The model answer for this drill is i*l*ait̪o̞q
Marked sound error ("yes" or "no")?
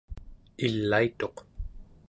yes